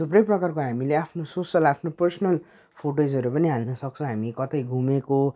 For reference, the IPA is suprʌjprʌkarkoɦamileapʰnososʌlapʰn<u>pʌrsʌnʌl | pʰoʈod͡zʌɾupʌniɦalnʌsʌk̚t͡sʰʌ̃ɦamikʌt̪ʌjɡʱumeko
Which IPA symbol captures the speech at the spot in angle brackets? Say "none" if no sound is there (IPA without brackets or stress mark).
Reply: o